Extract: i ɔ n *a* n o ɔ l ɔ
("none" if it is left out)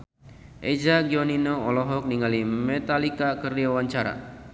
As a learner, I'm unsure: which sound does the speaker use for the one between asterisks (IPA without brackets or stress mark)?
i